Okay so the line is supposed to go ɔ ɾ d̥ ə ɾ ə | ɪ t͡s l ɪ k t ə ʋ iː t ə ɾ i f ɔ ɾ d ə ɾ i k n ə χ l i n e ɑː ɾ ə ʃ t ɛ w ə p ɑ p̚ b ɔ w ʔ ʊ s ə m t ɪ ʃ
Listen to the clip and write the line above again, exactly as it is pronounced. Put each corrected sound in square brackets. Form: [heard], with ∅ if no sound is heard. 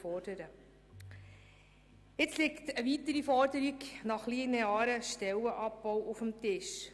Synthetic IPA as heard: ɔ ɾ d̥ ə ɾ ə | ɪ t͡s l ɪ k t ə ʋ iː t ə ɾ i f ɔ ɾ d ə ɾ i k n [ɑ] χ l i n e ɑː ɾ ə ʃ t ɛ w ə [ʔ] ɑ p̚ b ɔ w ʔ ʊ [f] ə m t ɪ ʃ